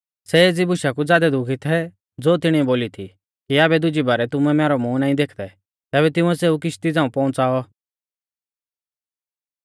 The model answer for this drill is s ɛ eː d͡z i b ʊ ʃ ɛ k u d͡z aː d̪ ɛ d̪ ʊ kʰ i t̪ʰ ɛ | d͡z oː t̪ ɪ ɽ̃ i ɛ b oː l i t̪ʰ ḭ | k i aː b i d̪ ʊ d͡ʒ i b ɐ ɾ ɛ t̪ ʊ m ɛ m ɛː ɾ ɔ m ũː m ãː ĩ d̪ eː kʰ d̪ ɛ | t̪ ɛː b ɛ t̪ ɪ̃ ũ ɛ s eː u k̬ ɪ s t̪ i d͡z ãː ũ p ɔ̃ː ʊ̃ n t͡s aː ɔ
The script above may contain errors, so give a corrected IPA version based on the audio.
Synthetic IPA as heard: s ɛ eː d͡z i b ʊ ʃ a k u d͡z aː d̪ ɛ d̪ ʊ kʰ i t̪ʰ ɛ | d͡z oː t̪ ɪ ɽ̃ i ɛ b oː l i t̪ʰ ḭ | k i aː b ɛ d̪ ʊ d͡ʒ i b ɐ ɾ ɛ t̪ ʊ m ɛ m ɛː ɾ ɔ m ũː n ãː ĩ d̪ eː kʰ d̪ ɛ | t̪ ɛː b ɛ t̪ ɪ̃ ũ ɛ s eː u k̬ ɪ ʃ t̪ i d͡z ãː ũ p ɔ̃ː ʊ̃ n t͡s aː ɔ